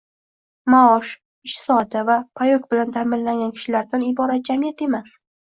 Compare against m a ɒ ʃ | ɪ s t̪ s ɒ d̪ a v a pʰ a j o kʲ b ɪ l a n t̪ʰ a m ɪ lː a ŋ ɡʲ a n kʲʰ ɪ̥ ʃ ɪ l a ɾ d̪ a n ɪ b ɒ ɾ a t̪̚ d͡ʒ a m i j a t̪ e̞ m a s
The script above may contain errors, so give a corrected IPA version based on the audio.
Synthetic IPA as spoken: m a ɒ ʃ | ɪ ʃ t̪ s ɒ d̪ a v a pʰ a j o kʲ b ɪ l a n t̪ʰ a m ɪ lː a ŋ ɡʲ a n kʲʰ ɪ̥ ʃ ɪ l a ɾ d̪ a n ɪ b ɒ ɾ a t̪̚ d͡ʒ a m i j a t̪ e̞ m a s